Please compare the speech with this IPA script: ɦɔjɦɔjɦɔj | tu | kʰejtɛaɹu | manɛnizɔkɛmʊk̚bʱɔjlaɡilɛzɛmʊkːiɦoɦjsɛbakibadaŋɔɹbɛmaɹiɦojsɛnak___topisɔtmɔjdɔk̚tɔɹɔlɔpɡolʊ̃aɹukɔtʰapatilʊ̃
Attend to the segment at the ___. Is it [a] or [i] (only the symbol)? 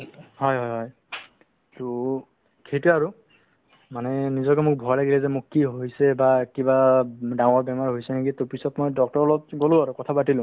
i